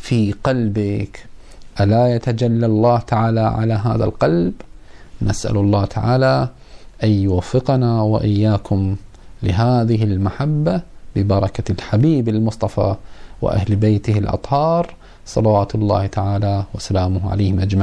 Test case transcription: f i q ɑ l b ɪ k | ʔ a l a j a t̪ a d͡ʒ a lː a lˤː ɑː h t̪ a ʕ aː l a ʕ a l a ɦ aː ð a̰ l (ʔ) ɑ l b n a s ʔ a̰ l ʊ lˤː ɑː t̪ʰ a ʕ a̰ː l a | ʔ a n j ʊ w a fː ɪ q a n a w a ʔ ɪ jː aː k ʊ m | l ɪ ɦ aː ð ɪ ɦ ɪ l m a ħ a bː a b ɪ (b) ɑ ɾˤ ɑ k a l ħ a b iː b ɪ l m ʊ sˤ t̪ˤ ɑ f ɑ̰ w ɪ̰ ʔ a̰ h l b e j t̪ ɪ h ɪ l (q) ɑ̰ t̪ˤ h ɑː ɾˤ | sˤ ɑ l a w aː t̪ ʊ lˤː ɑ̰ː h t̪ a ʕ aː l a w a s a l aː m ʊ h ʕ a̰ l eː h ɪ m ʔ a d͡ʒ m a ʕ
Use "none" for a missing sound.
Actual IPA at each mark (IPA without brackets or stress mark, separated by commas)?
q, b, ʔ